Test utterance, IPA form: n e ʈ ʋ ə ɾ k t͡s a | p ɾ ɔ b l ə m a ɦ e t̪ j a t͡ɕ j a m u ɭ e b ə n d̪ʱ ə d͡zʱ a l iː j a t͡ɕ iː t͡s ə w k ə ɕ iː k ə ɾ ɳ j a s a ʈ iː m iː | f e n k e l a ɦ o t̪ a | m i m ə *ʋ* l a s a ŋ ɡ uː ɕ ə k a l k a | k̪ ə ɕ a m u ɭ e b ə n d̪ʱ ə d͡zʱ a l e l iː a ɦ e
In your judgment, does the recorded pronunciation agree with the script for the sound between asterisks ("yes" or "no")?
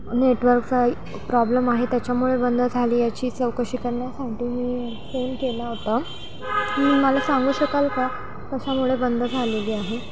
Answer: no